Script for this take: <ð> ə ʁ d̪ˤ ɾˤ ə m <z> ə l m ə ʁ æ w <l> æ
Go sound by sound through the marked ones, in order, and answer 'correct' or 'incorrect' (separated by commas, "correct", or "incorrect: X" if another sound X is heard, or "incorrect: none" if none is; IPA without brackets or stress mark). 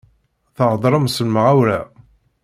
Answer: incorrect: θ, incorrect: s, incorrect: ɾ